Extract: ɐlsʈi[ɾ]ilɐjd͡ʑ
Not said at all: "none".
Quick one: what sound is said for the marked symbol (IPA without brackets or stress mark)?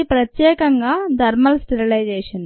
ɾ